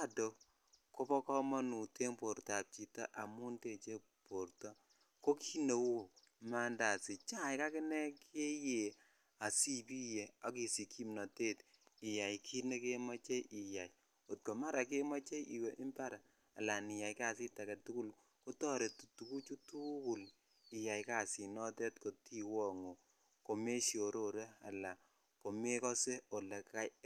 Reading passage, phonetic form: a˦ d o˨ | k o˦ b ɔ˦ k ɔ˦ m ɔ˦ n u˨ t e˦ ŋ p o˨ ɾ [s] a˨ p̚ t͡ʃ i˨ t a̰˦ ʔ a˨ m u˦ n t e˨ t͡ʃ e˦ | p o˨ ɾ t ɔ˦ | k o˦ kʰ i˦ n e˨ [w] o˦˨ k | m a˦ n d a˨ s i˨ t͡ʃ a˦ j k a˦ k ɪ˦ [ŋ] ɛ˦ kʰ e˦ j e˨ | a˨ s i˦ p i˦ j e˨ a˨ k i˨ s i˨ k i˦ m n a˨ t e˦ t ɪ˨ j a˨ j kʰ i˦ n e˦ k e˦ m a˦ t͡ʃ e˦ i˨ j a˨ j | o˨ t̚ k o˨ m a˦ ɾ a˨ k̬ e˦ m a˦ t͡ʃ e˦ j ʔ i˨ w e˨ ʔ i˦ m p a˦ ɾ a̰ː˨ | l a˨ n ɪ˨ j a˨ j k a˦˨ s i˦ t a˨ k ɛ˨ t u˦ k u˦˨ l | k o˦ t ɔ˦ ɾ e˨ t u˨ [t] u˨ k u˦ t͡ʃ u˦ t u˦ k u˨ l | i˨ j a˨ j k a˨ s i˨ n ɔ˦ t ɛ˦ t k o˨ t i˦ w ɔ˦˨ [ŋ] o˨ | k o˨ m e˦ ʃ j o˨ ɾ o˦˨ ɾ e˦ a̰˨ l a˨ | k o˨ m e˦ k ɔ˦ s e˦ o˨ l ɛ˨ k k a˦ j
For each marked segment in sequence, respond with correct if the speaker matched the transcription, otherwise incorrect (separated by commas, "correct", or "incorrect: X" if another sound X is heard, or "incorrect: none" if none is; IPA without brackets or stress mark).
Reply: incorrect: t, correct, incorrect: n, correct, correct